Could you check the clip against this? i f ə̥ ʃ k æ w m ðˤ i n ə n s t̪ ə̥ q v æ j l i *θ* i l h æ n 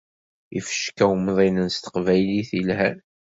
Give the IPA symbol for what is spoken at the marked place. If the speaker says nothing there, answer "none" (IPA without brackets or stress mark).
θ